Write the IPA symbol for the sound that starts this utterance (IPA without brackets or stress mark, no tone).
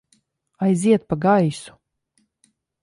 a